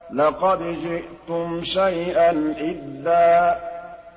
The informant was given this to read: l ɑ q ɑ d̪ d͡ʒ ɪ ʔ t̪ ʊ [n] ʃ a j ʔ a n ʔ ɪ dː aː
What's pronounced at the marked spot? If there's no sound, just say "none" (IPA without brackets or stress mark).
m